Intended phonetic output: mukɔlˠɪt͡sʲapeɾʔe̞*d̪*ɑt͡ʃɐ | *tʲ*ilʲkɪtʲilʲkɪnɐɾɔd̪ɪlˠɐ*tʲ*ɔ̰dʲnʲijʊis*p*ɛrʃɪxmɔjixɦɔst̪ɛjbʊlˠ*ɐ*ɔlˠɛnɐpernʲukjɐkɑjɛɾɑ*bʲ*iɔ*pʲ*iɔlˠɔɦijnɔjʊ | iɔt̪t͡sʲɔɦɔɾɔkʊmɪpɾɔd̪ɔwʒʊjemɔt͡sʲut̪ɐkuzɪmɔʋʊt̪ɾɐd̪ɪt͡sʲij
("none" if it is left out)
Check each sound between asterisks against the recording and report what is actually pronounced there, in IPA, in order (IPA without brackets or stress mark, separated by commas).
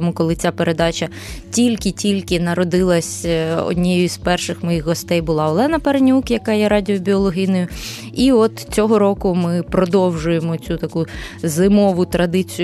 d̪, tʲ, sʲ, p, ɑ, dʲ, bʲ